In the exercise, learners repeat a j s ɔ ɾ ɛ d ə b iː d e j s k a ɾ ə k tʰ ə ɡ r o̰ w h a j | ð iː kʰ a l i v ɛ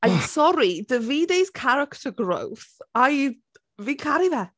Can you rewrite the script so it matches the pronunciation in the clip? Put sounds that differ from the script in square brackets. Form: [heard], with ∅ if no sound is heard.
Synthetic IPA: a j s ɔ ɾ [i] d ə [v] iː d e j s [kʰ] a ɾ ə k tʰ ə ɡ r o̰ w [θ] a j | [v] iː kʰ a [ɾ] i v ɛ